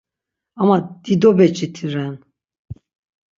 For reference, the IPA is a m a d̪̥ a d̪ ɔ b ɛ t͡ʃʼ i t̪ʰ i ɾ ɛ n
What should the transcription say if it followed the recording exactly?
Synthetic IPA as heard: a m a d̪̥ i d̪ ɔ b ɛ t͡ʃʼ i t̪ʰ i ɾ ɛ n